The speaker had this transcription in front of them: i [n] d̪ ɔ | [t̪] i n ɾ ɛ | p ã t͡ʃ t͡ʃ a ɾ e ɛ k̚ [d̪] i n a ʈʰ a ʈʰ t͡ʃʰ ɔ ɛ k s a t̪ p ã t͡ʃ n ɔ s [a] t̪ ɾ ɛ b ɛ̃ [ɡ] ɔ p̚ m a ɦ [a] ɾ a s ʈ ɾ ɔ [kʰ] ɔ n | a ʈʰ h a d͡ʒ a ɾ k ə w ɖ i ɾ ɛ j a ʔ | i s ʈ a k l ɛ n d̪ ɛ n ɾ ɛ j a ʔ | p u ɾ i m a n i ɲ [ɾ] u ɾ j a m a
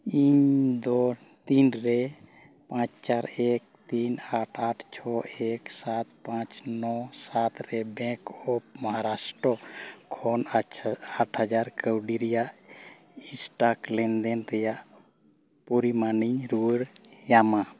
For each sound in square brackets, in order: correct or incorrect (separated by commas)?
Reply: incorrect, correct, incorrect, correct, incorrect, correct, correct, correct